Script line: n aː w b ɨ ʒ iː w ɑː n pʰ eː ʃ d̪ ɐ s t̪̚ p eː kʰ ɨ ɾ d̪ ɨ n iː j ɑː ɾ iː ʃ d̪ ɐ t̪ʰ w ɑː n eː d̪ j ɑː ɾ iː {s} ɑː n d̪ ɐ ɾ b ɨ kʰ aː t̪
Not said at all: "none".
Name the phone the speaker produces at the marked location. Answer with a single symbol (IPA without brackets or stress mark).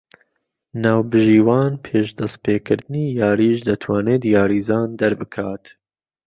z